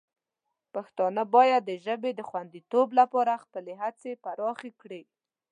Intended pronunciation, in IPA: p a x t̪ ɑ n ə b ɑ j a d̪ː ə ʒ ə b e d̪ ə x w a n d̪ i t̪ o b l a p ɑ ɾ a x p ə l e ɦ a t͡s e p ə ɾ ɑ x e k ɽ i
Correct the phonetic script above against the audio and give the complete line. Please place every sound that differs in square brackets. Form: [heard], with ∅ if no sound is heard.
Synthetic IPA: p a x t̪ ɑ n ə b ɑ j a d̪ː ə ʒ ə b e d̪ ə x w a n d̪ i t̪ o b l a p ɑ ɾ a x p ə l e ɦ a t͡s e p [a] ɾ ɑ x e k ɽ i